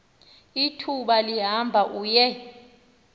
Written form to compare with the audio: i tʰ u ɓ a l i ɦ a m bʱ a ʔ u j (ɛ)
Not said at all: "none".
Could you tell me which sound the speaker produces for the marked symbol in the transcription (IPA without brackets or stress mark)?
ɛ